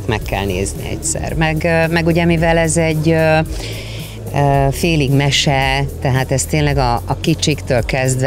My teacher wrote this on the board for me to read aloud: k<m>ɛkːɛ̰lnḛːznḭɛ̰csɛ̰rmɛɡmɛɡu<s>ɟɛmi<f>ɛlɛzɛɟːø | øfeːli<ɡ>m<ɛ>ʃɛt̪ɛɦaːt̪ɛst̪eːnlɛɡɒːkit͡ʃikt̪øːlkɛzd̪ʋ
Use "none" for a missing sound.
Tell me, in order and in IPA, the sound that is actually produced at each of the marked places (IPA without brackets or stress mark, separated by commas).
m, none, v, ɡ, ɛ